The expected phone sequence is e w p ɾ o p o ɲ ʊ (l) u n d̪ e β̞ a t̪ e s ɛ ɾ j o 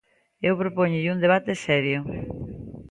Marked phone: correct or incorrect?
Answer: incorrect